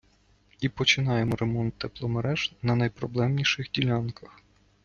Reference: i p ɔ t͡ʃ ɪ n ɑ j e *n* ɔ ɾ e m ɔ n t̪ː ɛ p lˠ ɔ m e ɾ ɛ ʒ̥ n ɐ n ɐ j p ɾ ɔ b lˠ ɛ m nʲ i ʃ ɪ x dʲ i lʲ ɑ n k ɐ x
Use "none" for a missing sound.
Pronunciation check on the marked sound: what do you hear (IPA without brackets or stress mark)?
m